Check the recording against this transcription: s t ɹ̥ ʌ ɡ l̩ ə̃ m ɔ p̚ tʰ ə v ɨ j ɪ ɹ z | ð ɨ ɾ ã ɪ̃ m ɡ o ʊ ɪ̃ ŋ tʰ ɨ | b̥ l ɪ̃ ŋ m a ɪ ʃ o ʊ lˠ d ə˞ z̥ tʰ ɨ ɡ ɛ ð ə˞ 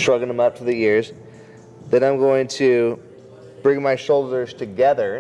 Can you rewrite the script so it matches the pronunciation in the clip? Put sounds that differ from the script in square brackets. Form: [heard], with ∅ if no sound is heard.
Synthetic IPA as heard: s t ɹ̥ ʌ ɡ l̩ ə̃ m [ʌ] p̚ tʰ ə [ð] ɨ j ɪ ɹ z | ð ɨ ɾ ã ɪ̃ m ɡ o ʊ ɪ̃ ŋ tʰ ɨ | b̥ [ɹ] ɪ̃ ŋ m a ɪ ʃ o ʊ lˠ d ə˞ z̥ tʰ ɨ ɡ ɛ ð ə˞

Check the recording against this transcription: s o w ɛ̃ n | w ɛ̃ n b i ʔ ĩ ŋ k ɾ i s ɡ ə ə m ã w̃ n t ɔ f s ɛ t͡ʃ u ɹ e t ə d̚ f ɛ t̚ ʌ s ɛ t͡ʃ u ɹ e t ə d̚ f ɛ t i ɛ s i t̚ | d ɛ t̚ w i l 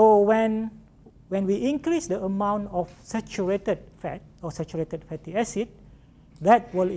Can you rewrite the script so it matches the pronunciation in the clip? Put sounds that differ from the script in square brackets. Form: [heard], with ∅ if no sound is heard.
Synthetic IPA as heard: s o w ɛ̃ n | w ɛ̃ n [w] i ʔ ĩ ŋ k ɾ i s [d] ə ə m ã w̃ n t ɔ f s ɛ t͡ʃ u ɹ e t ə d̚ f ɛ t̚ [ɔ] s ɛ t͡ʃ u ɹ e t ə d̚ f ɛ t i ɛ s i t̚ | d ɛ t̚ w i l

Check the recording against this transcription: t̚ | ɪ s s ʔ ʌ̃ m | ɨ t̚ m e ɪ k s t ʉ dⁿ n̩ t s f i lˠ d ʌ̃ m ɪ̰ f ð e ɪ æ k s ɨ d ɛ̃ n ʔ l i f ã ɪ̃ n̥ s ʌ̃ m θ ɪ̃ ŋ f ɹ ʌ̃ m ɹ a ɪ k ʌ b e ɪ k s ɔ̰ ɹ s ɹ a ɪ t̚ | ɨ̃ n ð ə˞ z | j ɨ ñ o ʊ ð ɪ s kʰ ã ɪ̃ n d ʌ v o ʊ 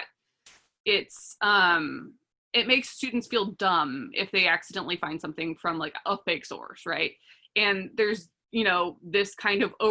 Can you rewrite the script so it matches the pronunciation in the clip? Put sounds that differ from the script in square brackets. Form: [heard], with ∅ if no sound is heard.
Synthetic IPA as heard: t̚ | ɪ [t] s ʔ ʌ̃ m | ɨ t̚ m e ɪ k s t ʉ dⁿ n̩ t s f i lˠ d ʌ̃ m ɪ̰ f ð e ɪ æ k s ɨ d ɛ̃ n ʔ l i f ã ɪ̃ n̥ s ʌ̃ m θ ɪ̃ ŋ f ɹ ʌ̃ m [l] a ɪ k ʌ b e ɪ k s ɔ̰ ɹ s ɹ a ɪ t̚ | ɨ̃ n ð ə˞ z | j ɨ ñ o ʊ ð ɪ s kʰ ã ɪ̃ n d ʌ v o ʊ

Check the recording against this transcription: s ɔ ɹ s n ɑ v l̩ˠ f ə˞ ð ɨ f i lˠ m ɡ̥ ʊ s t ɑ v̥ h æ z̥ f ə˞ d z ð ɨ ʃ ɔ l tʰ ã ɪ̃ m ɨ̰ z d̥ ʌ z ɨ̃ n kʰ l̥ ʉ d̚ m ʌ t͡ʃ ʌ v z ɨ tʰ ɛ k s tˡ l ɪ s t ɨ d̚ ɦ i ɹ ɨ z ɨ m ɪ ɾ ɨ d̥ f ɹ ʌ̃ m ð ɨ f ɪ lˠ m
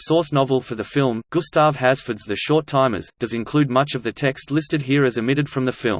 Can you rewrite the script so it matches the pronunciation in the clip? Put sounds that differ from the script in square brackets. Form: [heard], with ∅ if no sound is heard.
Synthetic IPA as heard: s ɔ ɹ s n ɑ v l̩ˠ f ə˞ ð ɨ f [ɪ] lˠ m ɡ̥ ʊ s t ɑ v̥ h æ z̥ f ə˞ d z ð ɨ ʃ ɔ [ɹ] tʰ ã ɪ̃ m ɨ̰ z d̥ ʌ z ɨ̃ n kʰ l̥ ʉ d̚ m ʌ t͡ʃ ʌ v [ð] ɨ tʰ ɛ k s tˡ l ɪ s t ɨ d̚ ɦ i ɹ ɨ z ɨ m ɪ ɾ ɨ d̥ f ɹ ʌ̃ m ð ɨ f ɪ lˠ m

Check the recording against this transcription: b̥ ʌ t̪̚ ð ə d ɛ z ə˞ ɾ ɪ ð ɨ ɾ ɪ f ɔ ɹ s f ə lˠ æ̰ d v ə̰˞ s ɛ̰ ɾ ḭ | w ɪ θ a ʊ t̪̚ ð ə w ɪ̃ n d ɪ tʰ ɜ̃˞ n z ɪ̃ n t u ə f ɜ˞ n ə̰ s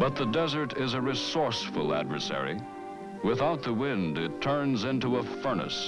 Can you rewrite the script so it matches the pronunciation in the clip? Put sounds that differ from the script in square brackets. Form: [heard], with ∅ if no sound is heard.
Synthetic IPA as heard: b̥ ʌ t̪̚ ð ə d ɛ z ə˞ ɾ ɪ [z] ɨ [ɹ] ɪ [s] ɔ ɹ s f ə lˠ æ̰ d v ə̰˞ s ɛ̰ [ɹ] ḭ | w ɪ θ a ʊ t̪̚ ð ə w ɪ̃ n d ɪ tʰ ɜ̃˞ n z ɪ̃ n t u ə f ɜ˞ n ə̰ s

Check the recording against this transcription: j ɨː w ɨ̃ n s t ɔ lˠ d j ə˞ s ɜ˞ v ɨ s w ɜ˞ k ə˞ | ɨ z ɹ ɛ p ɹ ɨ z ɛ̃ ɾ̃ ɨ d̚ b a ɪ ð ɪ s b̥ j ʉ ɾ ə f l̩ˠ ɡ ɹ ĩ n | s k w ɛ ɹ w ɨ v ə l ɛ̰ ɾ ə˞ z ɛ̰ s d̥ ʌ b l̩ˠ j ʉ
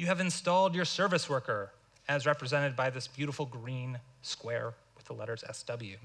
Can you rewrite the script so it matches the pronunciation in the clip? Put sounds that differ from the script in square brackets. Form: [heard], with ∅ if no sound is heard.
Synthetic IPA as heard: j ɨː [v] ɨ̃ n s t ɔ lˠ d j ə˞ s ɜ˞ v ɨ s w ɜ˞ k ə˞ | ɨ z ɹ ɛ p ɹ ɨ z ɛ̃ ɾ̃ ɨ d̚ b a ɪ ð ɪ s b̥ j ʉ ɾ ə f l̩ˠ ɡ ɹ ĩ n | s k w ɛ ɹ w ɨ [ð] ə l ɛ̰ ɾ ə˞ z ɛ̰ s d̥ ʌ b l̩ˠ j ʉ

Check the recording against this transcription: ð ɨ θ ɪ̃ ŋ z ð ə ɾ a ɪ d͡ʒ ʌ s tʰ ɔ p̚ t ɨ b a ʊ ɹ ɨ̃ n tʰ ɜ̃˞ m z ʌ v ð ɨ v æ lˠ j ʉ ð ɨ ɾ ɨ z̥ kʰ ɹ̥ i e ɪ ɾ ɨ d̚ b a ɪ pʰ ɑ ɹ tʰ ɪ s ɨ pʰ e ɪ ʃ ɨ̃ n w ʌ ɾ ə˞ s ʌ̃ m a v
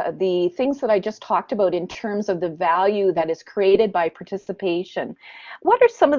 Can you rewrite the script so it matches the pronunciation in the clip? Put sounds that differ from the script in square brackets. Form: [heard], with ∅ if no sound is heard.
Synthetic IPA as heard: ð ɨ θ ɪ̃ ŋ z ð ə ɾ a ɪ d͡ʒ ʌ s tʰ ɔ [k̚] t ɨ b a ʊ [ɾ] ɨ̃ n tʰ ɜ̃˞ m z ʌ v ð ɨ v æ lˠ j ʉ ð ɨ ɾ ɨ z̥ kʰ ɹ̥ i e ɪ ɾ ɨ d̚ b a ɪ pʰ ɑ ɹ tʰ ɪ s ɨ pʰ e ɪ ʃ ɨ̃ n w ʌ ɾ ə˞ s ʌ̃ m [ʌ] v

